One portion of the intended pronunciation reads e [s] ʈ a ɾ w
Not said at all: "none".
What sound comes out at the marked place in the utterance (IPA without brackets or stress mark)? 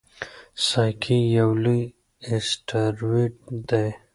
s